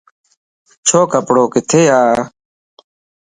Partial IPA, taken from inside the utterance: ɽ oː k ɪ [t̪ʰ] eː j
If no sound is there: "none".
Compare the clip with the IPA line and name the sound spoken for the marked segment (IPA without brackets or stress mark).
t̪ʰ